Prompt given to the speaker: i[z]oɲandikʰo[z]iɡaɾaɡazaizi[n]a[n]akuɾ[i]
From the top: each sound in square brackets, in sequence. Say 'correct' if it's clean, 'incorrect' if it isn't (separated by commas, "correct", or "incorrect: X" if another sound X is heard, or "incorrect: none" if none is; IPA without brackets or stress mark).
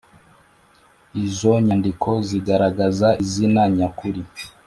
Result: correct, correct, correct, incorrect: ɲ, correct